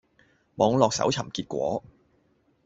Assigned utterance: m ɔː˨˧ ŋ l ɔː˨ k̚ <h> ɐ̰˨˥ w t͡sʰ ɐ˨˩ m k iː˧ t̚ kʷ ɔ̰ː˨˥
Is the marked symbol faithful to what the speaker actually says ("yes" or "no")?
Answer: no